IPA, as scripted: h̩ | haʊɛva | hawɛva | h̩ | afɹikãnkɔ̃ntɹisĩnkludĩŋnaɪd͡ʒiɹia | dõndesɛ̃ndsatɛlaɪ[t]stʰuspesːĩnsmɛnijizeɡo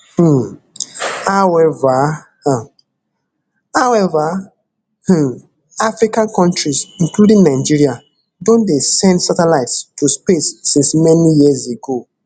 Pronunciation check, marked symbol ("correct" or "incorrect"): correct